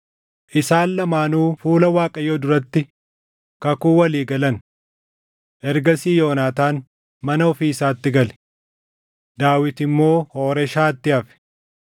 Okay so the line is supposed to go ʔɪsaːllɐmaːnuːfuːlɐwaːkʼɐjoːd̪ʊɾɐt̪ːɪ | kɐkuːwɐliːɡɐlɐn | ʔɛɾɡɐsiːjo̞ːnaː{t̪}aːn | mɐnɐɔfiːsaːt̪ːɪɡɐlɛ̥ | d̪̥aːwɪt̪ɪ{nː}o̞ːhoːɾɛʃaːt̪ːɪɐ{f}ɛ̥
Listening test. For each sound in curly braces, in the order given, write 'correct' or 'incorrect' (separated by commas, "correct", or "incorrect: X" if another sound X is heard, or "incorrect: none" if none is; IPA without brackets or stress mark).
correct, incorrect: mː, correct